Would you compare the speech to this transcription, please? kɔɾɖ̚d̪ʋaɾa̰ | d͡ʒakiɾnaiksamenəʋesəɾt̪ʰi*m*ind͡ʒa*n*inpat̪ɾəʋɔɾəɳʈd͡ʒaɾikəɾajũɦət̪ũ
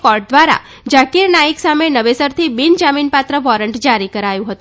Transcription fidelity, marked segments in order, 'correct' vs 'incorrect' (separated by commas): incorrect, incorrect